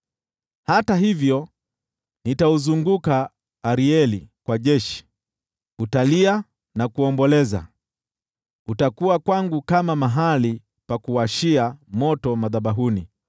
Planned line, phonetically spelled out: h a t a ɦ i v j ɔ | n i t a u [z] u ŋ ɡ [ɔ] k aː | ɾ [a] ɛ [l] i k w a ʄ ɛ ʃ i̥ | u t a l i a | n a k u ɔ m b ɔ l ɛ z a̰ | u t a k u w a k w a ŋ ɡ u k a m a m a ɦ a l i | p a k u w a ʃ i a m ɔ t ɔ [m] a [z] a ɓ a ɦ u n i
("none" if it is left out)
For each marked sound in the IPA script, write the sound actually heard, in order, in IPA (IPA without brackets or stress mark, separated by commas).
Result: z, u, i, l, m, ð